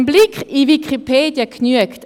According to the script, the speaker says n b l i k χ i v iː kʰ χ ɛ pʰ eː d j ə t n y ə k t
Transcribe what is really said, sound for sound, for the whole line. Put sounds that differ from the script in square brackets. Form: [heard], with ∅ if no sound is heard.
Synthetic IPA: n b l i k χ i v [i] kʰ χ [i] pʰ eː d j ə [k] n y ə k t